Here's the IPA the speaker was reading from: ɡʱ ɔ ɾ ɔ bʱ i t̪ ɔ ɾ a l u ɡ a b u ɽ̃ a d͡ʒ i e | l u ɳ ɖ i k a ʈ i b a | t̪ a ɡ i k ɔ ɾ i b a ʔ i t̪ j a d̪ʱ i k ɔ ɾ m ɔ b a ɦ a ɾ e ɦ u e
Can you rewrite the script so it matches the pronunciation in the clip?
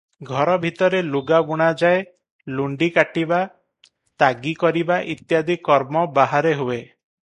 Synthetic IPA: ɡʱ ɔ ɾ ɔ bʱ i t̪ ɔ ɾ e l u ɡ a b u ɽ̃ a d͡ʒ a e | l u ɳ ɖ i k a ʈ i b a | t̪ a ɡ i k ɔ ɾ i b a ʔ i t̪ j a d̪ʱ i k ɔ ɾ m ɔ b a ɦ a ɾ e ɦ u e